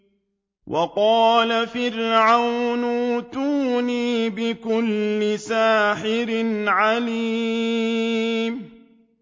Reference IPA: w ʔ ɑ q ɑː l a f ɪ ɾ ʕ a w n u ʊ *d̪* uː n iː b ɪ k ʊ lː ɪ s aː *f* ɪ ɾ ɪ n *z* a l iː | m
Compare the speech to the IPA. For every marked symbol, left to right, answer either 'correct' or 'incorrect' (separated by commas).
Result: incorrect, incorrect, incorrect